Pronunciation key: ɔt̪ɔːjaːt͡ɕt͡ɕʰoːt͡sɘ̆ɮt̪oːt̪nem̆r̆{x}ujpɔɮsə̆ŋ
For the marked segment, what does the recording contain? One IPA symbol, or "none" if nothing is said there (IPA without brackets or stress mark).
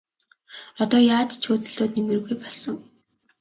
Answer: ɣ